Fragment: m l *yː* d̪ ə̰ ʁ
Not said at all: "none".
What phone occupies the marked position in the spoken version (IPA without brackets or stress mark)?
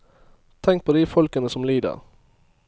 iː